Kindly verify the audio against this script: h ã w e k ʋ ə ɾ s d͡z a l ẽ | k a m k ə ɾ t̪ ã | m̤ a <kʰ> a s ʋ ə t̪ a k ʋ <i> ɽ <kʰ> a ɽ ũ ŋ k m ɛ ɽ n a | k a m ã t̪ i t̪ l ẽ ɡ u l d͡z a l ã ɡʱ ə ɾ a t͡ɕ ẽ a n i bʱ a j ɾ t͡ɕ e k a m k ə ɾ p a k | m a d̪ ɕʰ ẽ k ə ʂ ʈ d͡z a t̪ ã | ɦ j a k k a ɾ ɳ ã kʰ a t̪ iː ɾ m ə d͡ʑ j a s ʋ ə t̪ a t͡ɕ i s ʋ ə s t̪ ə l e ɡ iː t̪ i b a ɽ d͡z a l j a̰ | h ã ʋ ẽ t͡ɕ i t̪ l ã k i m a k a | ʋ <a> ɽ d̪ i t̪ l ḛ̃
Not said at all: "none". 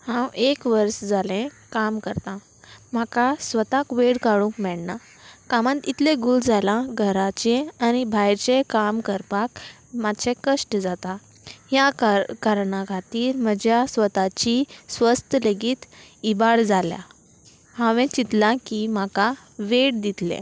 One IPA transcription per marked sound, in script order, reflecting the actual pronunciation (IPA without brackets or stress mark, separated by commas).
k, e, k, e